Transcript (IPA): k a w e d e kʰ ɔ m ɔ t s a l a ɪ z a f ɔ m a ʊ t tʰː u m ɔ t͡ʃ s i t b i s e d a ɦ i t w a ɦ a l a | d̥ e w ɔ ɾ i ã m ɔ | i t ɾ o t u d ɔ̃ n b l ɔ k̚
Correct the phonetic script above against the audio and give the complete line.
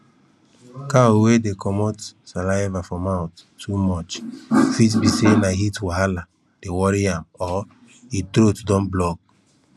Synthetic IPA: k a w e d e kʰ ɔ m ɔ t s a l a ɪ v a f ɔ m a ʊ t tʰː u m ɔ t͡ʃ f i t b i s e n a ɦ i t w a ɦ a l a | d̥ e w ɔ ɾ i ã m ɔ | i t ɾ o t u d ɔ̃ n b l ɔ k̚